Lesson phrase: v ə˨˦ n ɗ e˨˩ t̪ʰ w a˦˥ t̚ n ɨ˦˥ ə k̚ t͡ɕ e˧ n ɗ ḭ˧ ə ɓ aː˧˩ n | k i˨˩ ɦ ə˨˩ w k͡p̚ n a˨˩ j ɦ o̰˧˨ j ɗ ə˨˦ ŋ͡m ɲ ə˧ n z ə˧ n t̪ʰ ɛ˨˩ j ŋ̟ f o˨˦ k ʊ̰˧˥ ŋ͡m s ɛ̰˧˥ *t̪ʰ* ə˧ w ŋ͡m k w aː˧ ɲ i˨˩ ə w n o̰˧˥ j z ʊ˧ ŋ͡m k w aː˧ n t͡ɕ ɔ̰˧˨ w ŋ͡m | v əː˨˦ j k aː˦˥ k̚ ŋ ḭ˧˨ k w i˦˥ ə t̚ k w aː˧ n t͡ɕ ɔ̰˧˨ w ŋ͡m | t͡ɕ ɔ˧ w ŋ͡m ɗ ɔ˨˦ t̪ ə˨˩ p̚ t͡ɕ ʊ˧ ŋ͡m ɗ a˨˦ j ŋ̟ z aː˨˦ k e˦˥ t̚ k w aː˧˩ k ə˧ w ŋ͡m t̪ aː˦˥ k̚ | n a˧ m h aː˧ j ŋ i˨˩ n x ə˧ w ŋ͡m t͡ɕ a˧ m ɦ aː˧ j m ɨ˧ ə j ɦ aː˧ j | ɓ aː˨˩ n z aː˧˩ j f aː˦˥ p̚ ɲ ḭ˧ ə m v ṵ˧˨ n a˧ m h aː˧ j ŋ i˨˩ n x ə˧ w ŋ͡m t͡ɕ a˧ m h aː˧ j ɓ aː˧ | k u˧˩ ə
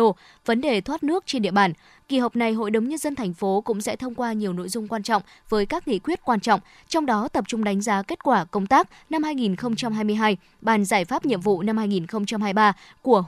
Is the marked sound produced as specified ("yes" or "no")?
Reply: yes